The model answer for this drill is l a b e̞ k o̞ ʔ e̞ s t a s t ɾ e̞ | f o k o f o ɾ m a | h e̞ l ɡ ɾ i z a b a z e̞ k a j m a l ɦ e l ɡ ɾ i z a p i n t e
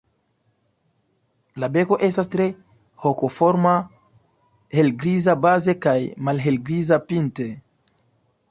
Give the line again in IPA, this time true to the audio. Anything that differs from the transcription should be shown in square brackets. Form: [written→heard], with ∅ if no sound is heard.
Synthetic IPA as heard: l a b e̞ k o̞ ʔ e̞ s t a s t ɾ e̞ | [f→h] o k o f o ɾ m a | h e̞ l ɡ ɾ i z a b a z e̞ k a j m a l ɦ e l ɡ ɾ i z a p i n t e